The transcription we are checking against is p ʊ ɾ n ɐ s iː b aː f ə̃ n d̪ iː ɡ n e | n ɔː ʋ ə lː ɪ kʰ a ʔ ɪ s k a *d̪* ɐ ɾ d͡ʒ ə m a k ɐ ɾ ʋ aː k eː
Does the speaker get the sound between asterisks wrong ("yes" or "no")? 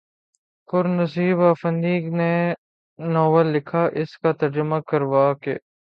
yes